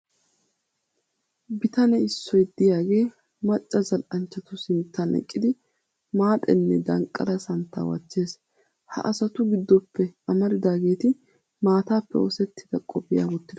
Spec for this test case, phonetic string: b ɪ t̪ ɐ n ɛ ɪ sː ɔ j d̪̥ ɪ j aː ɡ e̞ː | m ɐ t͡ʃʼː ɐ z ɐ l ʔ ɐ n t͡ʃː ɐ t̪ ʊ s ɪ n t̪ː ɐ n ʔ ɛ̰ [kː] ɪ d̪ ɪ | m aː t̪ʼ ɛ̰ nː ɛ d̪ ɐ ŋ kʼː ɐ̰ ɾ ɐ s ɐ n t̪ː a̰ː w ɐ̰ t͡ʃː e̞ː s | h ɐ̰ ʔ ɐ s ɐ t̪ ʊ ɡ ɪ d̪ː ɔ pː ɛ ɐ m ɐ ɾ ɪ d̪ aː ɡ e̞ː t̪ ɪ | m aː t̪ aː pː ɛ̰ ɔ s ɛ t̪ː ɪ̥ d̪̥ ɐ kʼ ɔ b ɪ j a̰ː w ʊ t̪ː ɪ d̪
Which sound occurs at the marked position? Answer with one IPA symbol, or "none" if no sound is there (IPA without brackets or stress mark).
kʼː